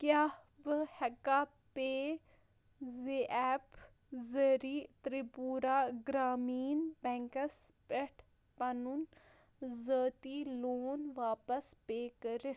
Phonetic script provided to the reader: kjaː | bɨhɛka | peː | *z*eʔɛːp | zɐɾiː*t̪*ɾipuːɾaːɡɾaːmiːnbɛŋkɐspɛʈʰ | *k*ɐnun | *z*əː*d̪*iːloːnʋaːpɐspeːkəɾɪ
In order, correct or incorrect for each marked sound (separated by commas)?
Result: correct, correct, incorrect, correct, incorrect